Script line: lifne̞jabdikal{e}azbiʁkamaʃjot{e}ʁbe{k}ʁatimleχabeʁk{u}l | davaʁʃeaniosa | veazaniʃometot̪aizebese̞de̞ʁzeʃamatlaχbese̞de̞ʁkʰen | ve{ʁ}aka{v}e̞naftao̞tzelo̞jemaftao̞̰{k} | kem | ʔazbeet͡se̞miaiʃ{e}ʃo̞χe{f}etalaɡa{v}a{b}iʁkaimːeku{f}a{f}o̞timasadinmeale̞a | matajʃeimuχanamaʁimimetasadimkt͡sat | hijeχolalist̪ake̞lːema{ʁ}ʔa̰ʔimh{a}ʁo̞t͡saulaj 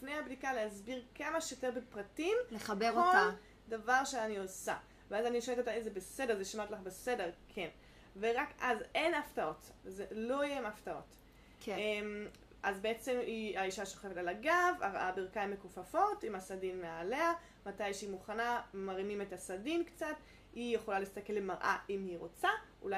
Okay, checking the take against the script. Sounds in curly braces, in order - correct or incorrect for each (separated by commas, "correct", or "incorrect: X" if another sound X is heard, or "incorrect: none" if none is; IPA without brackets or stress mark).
correct, correct, incorrect: p, incorrect: o, correct, incorrect: z, incorrect: t, incorrect: a, correct, correct, correct, correct, correct, correct, incorrect: i